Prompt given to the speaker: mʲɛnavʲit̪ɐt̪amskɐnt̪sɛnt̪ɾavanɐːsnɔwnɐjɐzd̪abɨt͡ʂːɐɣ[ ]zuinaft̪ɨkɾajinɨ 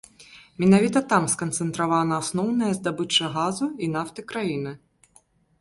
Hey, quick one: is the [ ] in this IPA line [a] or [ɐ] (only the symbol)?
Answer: a